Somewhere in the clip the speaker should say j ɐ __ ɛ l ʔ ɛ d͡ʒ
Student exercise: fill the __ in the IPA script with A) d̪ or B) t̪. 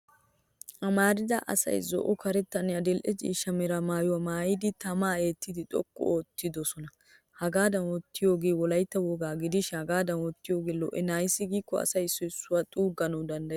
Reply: A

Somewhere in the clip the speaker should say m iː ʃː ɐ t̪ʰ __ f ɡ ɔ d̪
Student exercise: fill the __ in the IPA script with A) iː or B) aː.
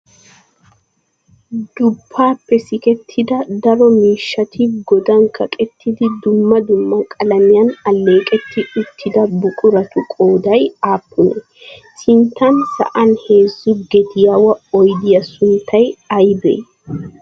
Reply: A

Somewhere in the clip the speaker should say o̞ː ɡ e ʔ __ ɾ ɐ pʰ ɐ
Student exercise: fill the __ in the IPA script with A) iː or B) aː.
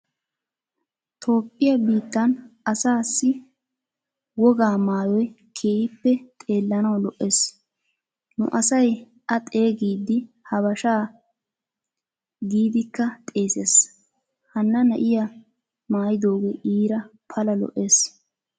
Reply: A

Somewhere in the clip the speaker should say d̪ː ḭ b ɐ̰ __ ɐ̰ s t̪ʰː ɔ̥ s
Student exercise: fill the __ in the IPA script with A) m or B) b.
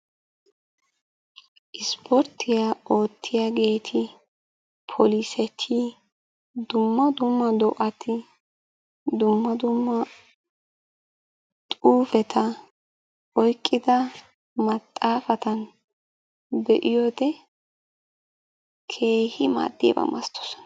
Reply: A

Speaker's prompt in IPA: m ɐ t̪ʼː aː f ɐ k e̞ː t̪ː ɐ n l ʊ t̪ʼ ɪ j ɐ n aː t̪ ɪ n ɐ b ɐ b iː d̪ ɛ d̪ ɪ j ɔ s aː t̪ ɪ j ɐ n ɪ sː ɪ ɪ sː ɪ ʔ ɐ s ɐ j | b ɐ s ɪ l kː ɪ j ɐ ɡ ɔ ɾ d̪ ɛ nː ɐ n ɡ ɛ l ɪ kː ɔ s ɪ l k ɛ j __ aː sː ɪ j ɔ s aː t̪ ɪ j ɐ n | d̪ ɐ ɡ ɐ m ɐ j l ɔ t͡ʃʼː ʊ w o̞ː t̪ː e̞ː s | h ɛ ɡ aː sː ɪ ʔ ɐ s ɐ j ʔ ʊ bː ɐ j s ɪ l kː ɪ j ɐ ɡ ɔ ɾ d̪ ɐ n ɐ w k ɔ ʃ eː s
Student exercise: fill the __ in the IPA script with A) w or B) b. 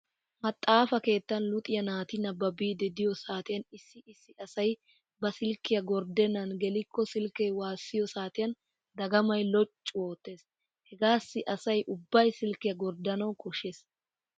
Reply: A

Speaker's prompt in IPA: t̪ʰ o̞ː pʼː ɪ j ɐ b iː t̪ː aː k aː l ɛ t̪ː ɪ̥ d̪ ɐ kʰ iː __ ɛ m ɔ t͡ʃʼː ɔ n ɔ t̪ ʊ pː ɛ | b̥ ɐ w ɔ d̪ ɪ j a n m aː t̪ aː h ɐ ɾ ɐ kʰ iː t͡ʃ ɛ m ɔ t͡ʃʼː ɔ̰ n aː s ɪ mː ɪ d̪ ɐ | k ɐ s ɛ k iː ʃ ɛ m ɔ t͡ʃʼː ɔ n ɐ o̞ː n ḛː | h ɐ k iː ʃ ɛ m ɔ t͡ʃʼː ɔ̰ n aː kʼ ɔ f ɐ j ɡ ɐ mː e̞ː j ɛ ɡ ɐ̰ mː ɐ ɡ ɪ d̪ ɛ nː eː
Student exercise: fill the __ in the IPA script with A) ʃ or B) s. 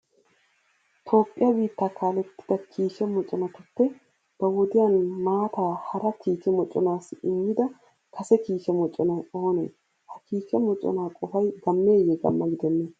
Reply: A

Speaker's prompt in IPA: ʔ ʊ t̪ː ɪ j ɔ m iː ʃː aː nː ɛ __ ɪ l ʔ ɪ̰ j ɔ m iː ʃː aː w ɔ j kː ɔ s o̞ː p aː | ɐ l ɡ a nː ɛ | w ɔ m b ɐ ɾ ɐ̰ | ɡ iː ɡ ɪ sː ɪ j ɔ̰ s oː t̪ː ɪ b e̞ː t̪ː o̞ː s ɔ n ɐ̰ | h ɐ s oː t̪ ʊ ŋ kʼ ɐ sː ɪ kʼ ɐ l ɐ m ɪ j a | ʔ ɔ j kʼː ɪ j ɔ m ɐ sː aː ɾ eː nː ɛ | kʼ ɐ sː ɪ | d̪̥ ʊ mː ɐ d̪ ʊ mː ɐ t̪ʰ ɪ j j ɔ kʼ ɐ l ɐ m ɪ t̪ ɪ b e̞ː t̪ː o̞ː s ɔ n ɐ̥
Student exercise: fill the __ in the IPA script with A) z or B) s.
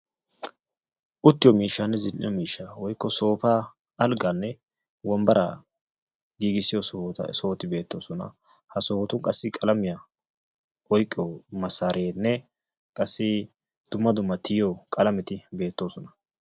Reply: A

